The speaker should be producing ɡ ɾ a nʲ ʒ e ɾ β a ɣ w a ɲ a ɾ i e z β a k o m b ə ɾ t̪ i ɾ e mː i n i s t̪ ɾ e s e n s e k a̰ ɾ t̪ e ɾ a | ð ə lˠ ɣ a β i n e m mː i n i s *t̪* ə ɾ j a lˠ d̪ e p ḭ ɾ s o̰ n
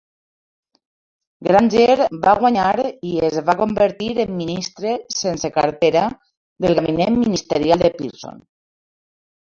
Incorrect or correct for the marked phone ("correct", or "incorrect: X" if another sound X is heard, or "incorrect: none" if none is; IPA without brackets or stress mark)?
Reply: correct